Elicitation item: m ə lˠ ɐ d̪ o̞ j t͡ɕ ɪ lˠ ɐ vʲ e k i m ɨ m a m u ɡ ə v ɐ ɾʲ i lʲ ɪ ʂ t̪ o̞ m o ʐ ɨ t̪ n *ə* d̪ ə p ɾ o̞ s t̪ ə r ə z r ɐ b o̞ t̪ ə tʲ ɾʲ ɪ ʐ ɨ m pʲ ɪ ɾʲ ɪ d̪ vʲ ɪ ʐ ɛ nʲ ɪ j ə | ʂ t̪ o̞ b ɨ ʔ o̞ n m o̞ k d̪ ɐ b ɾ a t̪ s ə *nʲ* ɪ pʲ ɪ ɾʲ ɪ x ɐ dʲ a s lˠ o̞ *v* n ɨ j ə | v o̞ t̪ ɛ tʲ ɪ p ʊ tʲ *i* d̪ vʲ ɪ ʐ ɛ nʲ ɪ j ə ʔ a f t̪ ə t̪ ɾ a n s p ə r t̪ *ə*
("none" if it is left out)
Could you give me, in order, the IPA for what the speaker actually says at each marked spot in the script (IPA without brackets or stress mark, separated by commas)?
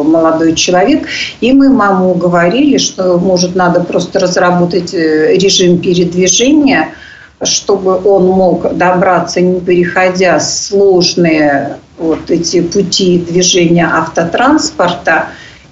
a, nʲ, ʐ, i, ə